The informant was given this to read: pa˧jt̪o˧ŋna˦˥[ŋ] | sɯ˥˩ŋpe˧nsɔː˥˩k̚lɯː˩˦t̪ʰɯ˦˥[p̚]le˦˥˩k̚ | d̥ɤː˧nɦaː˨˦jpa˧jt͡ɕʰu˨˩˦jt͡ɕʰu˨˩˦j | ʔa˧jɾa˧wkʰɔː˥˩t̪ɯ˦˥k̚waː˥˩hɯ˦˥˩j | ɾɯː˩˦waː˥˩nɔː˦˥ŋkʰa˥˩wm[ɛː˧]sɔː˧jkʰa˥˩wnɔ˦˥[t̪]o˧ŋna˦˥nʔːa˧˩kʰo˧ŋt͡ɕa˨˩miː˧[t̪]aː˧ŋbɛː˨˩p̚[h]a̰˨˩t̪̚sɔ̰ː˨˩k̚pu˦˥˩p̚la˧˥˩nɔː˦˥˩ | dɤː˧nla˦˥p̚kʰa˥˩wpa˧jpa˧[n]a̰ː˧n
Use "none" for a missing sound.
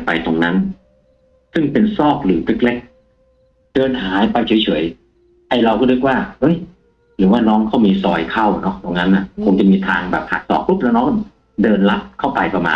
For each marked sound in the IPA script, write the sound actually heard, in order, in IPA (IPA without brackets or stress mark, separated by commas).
n, k̚, iː˧, t̪, t̪ʰ, h, m